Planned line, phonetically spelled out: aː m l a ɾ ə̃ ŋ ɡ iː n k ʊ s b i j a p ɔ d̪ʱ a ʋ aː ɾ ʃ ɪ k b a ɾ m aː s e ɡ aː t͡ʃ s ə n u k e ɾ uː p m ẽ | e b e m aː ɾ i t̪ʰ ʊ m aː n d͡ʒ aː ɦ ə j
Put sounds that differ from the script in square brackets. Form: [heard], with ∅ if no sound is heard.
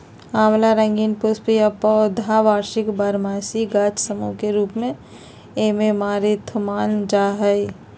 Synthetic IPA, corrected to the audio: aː m l a ɾ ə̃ ŋ ɡ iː n [p] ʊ s [p] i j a p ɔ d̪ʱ a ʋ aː ɾ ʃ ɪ k b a ɾ m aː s [i] ɡ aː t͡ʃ s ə [m] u k e ɾ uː p m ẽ | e [m] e m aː ɾ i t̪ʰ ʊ m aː n d͡ʒ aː ɦ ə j